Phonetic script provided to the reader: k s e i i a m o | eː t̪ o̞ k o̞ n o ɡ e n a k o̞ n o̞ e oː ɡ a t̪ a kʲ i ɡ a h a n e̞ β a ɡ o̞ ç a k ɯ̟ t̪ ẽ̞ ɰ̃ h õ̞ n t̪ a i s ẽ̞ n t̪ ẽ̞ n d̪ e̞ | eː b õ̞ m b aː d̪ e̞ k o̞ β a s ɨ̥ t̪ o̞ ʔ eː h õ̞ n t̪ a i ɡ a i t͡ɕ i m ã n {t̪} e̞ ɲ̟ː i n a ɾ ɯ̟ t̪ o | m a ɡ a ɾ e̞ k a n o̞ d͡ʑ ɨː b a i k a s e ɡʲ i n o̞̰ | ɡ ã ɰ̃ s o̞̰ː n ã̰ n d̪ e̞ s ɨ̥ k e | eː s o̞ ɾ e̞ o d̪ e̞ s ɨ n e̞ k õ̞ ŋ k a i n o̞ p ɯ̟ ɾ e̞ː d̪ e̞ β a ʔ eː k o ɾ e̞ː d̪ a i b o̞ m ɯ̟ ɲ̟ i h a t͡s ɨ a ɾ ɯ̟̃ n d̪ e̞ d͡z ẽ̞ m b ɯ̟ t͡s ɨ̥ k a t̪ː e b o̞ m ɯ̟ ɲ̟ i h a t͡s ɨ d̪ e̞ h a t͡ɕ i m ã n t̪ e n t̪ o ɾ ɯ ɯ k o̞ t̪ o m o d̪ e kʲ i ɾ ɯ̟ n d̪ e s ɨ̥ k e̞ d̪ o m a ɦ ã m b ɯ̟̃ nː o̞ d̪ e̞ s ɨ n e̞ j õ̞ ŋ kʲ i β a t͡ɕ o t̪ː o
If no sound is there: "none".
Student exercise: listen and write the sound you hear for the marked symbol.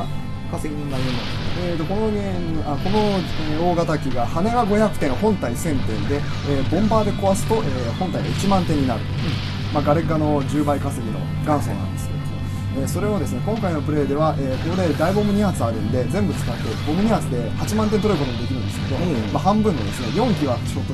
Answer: t̪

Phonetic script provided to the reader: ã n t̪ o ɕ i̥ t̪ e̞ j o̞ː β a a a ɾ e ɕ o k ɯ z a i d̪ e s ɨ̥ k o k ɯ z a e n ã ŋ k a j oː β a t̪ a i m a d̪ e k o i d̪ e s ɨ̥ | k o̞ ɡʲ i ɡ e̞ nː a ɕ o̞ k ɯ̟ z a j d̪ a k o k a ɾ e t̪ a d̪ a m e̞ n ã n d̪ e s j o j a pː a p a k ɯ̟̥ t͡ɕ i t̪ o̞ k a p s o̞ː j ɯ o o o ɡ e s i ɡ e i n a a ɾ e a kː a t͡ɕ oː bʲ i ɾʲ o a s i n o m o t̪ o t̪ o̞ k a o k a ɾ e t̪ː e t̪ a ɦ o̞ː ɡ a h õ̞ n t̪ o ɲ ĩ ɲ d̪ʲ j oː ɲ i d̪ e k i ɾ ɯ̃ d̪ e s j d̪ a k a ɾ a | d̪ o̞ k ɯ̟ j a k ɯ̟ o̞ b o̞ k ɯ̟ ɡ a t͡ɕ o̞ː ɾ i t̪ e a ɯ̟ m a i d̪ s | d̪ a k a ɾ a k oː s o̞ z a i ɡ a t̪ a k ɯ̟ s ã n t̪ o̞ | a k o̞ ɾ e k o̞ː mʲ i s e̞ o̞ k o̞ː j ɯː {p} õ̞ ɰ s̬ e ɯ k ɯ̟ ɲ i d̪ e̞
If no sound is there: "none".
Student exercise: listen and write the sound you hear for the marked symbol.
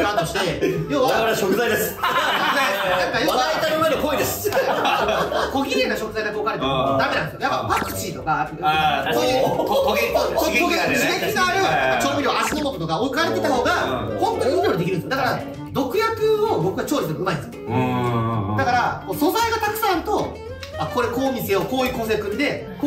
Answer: k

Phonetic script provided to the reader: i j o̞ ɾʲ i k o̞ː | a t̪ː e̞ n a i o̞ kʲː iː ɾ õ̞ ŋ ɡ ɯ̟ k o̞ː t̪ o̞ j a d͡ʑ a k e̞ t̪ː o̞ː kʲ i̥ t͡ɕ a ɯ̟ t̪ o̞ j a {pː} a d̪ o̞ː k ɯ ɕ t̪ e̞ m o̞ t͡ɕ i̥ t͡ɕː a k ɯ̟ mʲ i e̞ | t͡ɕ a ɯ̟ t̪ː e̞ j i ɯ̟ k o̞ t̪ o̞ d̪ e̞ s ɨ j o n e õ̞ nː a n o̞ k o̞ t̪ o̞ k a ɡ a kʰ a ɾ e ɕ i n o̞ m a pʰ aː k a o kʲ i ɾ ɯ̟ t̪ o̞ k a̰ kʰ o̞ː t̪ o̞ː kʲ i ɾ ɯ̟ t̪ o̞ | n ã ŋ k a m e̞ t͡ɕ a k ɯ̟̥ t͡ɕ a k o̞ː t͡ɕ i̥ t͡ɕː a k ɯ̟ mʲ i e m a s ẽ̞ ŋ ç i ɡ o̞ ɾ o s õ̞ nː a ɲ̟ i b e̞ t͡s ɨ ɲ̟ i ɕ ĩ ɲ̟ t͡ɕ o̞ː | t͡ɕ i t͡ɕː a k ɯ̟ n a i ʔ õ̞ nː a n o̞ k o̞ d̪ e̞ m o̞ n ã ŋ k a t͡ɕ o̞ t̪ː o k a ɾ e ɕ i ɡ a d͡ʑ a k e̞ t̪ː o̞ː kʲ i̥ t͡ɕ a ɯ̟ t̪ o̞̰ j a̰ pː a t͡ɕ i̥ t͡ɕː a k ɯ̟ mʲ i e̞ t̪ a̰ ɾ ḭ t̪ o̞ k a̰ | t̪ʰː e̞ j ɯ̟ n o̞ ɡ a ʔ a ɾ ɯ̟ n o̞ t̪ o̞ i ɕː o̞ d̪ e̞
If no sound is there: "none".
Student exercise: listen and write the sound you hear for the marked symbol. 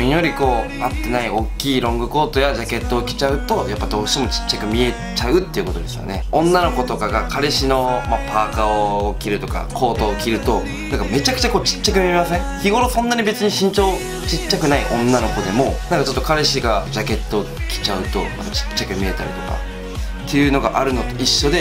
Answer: pː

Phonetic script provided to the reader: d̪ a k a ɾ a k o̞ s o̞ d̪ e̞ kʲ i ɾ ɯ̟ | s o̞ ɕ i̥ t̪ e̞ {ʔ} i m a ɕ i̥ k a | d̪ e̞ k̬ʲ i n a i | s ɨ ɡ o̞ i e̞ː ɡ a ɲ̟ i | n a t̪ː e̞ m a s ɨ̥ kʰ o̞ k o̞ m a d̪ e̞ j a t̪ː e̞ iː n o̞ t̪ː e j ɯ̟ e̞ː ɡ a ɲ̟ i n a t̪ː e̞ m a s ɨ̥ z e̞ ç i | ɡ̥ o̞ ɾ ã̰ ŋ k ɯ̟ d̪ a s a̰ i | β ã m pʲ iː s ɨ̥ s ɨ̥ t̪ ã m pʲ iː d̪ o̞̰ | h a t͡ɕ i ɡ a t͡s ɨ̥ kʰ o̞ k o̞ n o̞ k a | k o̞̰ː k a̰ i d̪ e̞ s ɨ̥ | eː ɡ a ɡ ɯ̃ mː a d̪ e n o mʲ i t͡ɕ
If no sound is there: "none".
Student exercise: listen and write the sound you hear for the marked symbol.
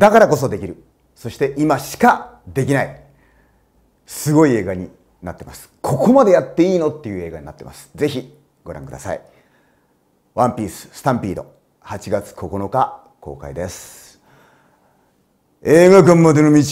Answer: ʔ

